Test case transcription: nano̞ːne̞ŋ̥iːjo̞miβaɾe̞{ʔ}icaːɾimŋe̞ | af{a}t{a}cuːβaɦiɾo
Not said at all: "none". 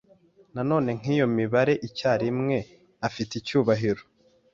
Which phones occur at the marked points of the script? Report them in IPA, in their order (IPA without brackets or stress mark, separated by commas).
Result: ʔ, i, i